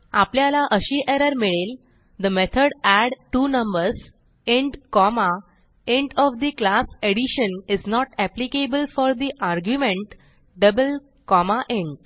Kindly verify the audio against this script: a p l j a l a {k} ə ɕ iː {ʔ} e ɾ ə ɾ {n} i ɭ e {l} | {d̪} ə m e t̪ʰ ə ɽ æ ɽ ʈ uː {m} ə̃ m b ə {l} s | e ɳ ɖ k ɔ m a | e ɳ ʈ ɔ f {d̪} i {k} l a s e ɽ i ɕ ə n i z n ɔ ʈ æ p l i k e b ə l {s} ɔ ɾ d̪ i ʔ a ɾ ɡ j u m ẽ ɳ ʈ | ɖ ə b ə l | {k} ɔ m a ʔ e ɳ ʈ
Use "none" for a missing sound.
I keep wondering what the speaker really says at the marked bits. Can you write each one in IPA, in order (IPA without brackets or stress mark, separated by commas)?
ʔ, ʔ, m, l, d̪, n, ɾ, d̪, k, f, k